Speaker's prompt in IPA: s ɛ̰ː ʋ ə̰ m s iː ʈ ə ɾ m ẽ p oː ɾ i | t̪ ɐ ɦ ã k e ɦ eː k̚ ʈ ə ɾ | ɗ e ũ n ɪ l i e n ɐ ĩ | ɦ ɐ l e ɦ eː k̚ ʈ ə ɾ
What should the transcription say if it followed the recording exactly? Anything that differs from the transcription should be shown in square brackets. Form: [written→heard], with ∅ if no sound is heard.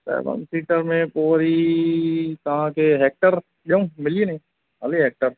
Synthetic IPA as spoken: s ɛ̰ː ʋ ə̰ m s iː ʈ ə ɾ m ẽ p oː ɾ i | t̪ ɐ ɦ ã k e ɦ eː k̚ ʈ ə ɾ | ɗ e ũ [n→m] ɪ l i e n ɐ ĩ | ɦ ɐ l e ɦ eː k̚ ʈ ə ɾ